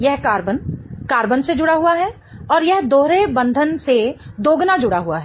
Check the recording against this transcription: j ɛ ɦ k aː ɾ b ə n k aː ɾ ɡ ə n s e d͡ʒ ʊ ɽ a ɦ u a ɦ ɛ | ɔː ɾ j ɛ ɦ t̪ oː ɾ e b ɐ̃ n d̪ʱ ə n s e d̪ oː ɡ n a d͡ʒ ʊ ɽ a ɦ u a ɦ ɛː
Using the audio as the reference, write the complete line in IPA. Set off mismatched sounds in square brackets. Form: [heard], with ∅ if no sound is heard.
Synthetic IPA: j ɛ ɦ k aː ɾ b ə n k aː ɾ [b] ə n s e d͡ʒ ʊ ɽ a ɦ u a ɦ ɛ | ɔː ɾ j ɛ ɦ [d̪] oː ɾ e b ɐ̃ n d̪ʱ ə n s e d̪ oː ɡ n a d͡ʒ ʊ ɽ a ɦ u a ɦ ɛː

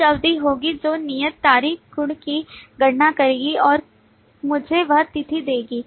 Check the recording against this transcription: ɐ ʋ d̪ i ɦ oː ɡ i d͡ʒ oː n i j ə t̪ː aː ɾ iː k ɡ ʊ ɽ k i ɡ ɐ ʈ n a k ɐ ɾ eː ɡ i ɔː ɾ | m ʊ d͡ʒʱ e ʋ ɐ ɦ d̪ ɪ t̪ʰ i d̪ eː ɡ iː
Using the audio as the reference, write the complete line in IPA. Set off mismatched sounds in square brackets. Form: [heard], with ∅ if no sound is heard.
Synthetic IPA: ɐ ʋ d̪ i ɦ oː ɡ i d͡ʒ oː n i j ə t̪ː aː ɾ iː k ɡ ʊ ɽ k i ɡ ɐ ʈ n a k ɐ ɾ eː ɡ i ɔː ɾ | m ʊ d͡ʒʱ e ʋ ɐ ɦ [t̪] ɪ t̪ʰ i d̪ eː ɡ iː

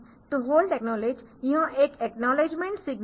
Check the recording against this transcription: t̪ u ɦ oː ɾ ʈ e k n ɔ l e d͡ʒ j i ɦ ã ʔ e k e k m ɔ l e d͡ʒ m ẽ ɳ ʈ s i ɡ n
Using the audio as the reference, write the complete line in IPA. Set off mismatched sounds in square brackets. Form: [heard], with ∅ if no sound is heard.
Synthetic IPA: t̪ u ɦ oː [l] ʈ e k n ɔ l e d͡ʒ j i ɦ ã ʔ e k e k [n] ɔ l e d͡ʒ m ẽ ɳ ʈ s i ɡ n

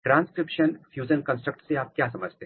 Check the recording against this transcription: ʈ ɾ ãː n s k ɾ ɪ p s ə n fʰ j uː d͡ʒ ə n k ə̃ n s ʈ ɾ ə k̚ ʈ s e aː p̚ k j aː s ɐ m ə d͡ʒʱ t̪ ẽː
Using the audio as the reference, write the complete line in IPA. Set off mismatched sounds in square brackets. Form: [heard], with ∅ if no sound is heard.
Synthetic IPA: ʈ ɾ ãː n s k ɾ ɪ p [ʃ] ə n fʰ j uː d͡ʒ ə n k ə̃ n s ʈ ɾ ə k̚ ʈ s e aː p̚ k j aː s ɐ m ə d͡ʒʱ t̪ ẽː

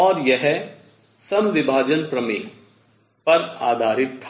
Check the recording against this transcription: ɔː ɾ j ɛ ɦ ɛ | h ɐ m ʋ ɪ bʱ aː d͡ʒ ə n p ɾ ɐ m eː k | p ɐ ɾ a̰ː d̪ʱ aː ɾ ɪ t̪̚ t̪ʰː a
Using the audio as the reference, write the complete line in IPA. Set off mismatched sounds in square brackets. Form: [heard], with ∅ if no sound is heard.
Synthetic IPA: ɔː ɾ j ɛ ɦ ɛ | [s] ɐ m ʋ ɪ bʱ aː d͡ʒ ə n p ɾ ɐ m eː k | p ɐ ɾ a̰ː d̪ʱ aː ɾ ɪ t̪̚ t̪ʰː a

